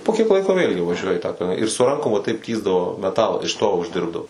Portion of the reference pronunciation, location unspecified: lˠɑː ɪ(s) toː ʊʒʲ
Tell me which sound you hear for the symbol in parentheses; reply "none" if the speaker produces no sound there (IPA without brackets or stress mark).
ʃ